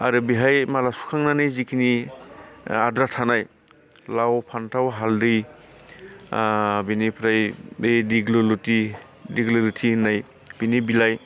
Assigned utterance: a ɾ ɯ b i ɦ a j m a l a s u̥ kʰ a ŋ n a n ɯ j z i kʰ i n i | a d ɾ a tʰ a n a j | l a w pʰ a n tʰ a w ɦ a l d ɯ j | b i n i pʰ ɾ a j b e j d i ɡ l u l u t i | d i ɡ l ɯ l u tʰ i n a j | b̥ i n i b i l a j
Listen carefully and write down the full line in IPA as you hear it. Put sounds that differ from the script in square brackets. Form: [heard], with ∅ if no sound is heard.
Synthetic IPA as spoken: a ɾ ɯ b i ɦ a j m a l a s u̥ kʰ a ŋ n a n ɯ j z i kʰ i n i | a d ɾ a tʰ a n a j | l a w pʰ a n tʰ a w ɦ a l d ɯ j | b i n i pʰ ɾ a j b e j d i ɡ l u l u t i | d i ɡ l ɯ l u tʰ i n a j | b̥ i n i b i l a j